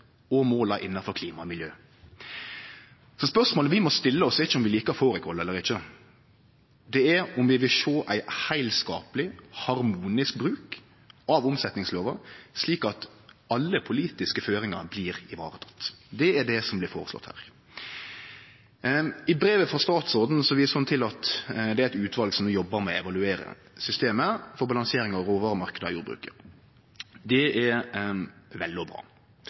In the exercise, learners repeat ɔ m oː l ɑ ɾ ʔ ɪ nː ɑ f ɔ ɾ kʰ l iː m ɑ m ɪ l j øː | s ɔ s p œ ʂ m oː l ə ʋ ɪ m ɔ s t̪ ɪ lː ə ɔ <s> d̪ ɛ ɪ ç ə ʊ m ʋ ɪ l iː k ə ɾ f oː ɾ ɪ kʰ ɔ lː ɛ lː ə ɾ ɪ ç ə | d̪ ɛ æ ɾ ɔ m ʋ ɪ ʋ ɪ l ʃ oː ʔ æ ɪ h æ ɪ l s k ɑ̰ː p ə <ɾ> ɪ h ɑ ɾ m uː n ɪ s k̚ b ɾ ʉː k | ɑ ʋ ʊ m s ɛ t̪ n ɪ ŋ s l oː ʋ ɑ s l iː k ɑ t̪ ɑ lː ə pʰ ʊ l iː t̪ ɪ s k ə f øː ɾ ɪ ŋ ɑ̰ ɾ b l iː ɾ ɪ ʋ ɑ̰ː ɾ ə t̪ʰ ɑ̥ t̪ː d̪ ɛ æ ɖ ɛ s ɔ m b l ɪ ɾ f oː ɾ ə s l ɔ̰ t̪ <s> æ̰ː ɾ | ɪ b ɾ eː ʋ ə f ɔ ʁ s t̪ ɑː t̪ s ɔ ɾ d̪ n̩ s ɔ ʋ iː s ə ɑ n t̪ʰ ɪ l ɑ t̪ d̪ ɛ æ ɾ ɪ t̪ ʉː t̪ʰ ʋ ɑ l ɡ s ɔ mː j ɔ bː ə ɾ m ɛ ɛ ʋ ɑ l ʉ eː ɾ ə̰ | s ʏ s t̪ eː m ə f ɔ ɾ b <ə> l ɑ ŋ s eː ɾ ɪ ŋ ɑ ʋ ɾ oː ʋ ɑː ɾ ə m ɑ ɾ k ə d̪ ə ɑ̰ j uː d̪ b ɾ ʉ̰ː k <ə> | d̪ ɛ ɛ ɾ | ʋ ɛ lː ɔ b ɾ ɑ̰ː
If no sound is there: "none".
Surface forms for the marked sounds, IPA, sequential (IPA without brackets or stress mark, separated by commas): s, l, h, ɑ, ə